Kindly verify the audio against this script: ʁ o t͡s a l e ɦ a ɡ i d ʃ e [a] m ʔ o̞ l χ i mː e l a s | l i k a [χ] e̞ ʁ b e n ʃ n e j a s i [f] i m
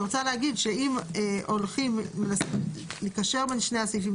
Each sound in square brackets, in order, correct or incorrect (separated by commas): incorrect, incorrect, correct